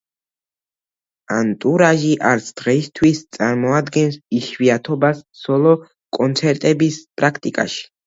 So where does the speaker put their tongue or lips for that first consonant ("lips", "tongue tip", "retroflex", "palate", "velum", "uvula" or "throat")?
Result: tongue tip